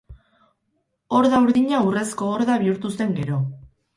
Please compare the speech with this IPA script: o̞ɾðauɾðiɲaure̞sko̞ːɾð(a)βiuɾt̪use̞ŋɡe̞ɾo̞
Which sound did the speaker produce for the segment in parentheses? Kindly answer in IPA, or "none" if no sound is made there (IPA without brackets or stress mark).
a